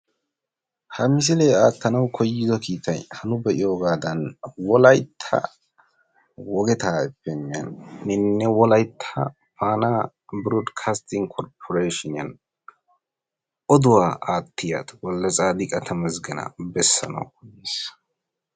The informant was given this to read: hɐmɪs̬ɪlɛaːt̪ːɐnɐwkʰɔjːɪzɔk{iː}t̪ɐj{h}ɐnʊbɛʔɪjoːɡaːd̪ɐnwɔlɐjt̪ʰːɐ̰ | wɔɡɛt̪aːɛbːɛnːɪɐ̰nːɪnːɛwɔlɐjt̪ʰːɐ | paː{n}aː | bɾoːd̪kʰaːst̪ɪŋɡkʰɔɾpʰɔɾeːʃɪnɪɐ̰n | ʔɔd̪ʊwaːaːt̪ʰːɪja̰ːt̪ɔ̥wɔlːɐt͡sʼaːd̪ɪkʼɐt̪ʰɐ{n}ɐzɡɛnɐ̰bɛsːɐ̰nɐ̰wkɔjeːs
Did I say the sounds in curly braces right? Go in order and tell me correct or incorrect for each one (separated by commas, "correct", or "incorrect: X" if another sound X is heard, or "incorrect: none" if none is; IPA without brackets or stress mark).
correct, correct, correct, incorrect: m